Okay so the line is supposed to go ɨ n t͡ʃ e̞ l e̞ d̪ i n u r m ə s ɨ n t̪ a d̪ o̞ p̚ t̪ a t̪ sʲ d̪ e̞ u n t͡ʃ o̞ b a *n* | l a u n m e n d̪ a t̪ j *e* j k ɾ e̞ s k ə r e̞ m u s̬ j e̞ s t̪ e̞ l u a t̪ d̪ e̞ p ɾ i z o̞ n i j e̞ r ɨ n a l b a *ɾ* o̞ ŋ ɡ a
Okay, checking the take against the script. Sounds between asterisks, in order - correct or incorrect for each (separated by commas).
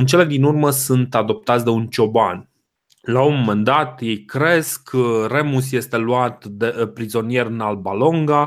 correct, correct, incorrect